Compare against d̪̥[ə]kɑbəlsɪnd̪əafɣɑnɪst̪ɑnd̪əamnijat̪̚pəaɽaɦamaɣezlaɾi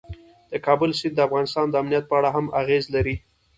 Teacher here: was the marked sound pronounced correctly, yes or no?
yes